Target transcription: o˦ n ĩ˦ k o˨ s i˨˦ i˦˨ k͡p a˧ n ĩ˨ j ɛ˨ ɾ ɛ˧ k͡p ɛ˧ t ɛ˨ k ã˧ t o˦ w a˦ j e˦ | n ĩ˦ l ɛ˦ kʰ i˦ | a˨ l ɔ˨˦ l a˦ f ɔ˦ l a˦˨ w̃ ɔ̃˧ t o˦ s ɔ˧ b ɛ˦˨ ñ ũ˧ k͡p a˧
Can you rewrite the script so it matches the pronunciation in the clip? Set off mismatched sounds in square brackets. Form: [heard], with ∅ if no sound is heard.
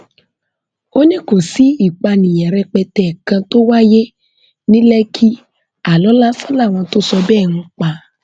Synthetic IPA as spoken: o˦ n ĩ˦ k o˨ s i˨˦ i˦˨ k͡p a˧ n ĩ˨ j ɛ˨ ɾ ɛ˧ k͡p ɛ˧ t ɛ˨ k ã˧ t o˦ w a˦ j e˦ | n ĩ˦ l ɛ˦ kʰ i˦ | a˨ l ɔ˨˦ l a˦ f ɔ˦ l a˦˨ w̃ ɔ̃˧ t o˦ s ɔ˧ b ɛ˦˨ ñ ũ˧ k͡p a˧